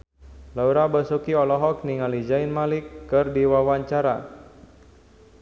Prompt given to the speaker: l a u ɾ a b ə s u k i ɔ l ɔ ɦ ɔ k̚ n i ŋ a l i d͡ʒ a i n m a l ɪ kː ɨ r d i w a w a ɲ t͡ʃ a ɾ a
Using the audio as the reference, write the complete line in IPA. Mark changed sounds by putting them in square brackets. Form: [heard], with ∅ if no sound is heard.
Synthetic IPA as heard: l a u ɾ a b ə s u k i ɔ l ɔ ɦ ɔ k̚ n i ŋ a l i d͡ʒ a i n m a l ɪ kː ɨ r d i w a w a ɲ t͡ʃ a ɾ a